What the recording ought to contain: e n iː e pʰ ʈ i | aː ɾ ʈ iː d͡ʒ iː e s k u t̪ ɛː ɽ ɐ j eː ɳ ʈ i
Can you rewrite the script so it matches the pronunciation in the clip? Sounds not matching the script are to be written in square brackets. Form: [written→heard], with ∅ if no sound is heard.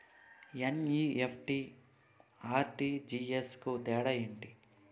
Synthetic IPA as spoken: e n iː e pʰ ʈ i | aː ɾ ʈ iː d͡ʒ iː e s k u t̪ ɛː ɽ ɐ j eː ɳ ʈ i